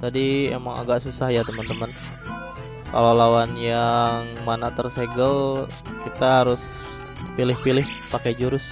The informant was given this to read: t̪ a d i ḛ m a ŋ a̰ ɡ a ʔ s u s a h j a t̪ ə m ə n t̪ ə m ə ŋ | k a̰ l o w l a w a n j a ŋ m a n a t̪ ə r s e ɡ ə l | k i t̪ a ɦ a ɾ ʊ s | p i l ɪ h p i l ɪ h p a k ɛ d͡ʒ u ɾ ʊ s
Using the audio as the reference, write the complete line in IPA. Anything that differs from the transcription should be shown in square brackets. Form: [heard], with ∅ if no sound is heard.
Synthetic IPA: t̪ a d i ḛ m a ŋ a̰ ɡ a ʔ s u s a h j a t̪ ə m ə n t̪ ə m ə [n] | k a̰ l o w l a w a n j a ŋ m a n a t̪ ə r s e ɡ ə l | k i t̪ a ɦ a ɾ ʊ s | p i l ɪ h p i l ɪ h p a k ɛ d͡ʒ u ɾ ʊ s